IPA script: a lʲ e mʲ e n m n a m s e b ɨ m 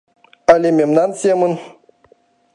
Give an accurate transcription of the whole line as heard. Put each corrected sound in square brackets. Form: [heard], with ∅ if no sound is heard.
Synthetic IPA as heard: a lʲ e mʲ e [∅] m n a [n] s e [m] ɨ [n]